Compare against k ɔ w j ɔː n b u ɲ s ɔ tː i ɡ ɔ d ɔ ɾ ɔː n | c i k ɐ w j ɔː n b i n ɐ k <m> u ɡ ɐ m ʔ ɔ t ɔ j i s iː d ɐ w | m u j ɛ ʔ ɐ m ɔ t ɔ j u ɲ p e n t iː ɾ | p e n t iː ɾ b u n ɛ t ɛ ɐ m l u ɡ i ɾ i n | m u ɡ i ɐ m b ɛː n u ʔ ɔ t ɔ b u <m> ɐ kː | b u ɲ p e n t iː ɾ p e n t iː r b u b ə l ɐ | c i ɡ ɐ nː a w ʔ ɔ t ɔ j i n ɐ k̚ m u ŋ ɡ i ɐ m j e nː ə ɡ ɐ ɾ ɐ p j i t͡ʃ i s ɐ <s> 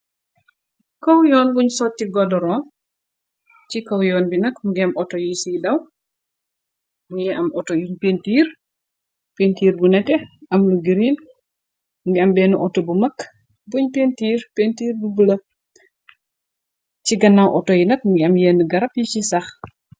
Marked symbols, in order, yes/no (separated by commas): yes, yes, no